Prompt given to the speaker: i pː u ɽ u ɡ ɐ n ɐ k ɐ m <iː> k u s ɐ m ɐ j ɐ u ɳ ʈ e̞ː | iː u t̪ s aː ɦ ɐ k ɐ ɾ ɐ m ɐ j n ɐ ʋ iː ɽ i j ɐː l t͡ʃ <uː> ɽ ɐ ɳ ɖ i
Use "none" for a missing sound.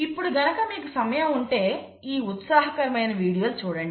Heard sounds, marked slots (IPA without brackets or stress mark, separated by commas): iː, uː